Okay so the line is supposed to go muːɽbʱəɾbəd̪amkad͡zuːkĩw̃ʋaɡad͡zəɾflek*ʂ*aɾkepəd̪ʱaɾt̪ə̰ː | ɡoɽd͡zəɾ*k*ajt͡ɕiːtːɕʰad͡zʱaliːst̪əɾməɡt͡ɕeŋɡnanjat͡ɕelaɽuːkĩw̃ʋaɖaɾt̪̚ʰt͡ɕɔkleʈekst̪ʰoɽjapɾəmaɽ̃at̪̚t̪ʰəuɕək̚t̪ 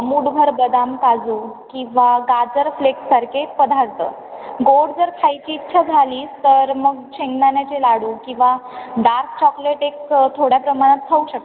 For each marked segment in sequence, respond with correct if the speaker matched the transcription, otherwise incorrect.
incorrect: s, incorrect: kʰ

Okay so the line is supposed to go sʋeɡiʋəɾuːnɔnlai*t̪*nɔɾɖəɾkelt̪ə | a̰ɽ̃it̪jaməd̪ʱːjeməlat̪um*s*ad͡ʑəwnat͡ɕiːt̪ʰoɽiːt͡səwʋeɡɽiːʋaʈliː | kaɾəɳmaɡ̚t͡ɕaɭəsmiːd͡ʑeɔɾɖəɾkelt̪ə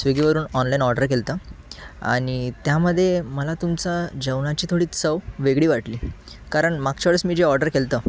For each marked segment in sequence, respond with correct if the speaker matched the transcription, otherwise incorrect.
incorrect: none, incorrect: t͡s

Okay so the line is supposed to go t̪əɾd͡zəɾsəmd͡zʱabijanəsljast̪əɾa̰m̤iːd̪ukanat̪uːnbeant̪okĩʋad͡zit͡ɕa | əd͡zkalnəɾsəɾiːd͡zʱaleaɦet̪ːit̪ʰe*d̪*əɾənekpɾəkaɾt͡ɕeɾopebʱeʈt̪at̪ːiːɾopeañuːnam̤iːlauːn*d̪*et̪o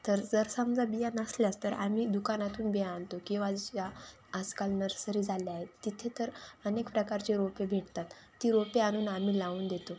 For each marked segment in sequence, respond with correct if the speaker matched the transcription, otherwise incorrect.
incorrect: t̪, correct

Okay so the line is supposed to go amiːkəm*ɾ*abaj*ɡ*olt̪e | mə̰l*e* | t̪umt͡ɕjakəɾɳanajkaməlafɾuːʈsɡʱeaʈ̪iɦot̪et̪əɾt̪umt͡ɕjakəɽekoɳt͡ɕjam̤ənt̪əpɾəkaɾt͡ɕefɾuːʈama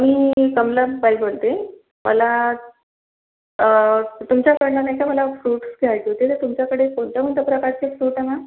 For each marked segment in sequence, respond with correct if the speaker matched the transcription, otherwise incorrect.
incorrect: l, incorrect: b, incorrect: a

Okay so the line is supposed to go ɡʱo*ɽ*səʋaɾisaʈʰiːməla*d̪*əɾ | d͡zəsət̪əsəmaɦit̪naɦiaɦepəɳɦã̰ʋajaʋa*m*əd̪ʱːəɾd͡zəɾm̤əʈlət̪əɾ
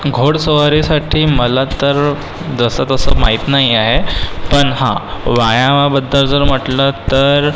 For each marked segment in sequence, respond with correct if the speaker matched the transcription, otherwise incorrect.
correct, incorrect: t̪, incorrect: b

